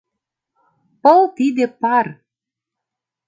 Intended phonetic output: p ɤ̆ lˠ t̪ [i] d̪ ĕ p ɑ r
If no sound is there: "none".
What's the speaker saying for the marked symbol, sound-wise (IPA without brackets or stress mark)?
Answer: i